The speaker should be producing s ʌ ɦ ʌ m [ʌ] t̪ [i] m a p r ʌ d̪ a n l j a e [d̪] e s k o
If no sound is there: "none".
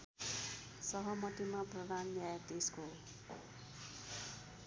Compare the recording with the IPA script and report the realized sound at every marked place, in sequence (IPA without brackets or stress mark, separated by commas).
ʌ, i, t̪